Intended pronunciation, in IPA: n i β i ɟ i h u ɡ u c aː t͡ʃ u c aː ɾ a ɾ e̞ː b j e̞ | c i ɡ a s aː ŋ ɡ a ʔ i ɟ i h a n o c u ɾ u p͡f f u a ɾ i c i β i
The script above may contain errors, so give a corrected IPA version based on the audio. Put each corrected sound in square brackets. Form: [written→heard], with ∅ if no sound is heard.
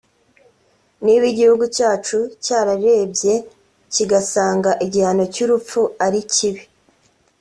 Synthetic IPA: n i β i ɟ i h u ɡ u c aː t͡ʃ u c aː ɾ a ɾ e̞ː b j e̞ | c i ɡ a s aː ŋ ɡ a ʔ i ɟ i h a n o c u ɾ u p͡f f u a ɾ i c i β i